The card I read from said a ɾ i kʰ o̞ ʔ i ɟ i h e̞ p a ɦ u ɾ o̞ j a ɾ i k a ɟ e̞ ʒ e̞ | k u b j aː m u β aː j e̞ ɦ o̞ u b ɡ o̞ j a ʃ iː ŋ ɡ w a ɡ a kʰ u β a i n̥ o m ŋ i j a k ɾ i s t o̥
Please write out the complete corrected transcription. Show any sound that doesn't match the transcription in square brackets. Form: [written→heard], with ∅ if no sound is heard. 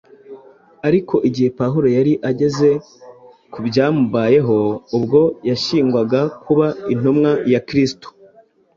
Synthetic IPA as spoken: a ɾ i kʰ o̞ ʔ i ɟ i h e̞ p a ɦ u ɾ o̞ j a ɾ i [k→ʔ] a ɟ e̞ [ʒ→z] e̞ | k u b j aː m u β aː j e̞ ɦ o̞ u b ɡ o̞ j a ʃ iː ŋ ɡ w a ɡ a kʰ u β a i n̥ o m ŋ [i→a] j a k ɾ i s t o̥